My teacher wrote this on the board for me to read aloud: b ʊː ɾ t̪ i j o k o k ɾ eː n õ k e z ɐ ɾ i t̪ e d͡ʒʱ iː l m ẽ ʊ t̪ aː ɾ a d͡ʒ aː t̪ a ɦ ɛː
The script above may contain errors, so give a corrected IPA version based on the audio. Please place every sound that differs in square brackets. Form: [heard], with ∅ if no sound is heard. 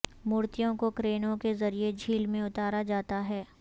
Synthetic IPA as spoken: [m] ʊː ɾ t̪ i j [õ] k o k ɾ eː n õ k e z ɐ ɾ i [∅] e d͡ʒʱ iː l m ẽ ʊ t̪ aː ɾ a d͡ʒ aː t̪ a ɦ ɛː